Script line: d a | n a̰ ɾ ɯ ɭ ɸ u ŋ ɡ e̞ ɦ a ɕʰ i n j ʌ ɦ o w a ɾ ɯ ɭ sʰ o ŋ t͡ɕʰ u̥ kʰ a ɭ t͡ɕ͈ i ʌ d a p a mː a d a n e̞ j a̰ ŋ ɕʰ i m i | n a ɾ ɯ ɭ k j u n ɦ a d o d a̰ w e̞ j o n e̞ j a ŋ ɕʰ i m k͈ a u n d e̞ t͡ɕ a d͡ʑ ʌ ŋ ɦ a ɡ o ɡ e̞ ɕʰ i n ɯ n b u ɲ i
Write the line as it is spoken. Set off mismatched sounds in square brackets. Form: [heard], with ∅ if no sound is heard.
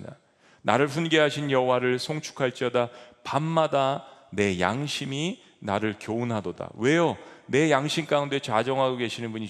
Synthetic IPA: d a | n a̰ ɾ ɯ ɭ ɸ u [n] ɡ e̞ ɦ a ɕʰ i n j ʌ ɦ o w a ɾ ɯ ɭ sʰ o ŋ t͡ɕʰ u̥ kʰ a ɭ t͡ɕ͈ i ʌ d a p a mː a d a n e̞ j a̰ ŋ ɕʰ i m i | n a ɾ ɯ ɭ k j [o] n ɦ a d o d a̰ w e̞ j o n e̞ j a ŋ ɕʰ i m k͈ a u n d e̞ t͡ɕ a d͡ʑ ʌ ŋ ɦ a ɡ o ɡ e̞ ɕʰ i n ɯ n b u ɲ i